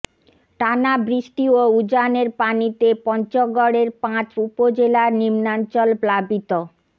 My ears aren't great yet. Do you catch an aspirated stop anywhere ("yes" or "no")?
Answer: no